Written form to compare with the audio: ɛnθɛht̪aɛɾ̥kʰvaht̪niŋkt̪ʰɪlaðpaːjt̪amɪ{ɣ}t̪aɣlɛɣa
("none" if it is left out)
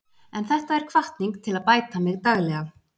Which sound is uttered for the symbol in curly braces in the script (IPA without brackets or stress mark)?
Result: ɣ